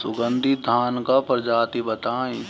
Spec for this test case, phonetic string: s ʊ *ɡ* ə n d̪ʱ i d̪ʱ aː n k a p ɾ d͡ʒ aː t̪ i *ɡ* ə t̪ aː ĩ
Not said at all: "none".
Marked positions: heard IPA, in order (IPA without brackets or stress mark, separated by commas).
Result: ɡ, b